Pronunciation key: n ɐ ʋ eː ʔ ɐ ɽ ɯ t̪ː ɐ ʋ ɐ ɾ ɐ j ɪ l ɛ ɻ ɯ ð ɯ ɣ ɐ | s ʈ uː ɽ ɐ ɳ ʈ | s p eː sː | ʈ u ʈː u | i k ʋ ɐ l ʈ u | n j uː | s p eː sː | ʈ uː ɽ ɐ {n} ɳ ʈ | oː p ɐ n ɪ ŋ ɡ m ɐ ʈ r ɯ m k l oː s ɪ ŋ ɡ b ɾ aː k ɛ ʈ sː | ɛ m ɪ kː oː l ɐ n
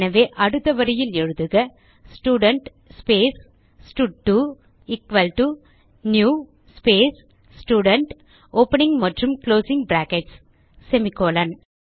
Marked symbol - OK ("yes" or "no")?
no